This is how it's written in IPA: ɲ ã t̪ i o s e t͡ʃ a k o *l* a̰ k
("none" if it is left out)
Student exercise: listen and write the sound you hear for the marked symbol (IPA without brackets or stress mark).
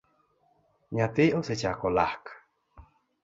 l